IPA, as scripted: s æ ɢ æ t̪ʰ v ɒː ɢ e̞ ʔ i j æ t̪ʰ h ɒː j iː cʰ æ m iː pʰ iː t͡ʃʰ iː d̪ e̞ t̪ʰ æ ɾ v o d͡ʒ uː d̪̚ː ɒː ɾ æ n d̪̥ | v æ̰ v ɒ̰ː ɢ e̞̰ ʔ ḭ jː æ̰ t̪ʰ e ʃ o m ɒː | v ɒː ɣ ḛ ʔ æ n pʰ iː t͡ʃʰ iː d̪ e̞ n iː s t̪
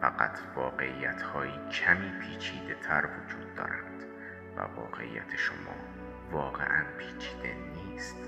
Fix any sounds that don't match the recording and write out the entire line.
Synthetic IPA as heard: f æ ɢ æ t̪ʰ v ɒː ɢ e̞ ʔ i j æ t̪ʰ h ɒː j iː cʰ æ m iː pʰ iː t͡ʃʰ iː d̪ e̞ t̪ʰ æ ɾ v o d͡ʒ uː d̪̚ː ɒː ɾ æ n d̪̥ | v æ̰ v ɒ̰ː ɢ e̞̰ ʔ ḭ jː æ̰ t̪ʰ e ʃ o m ɒː | v ɒː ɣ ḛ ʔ æ n pʰ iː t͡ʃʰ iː d̪ e̞ n iː s t̪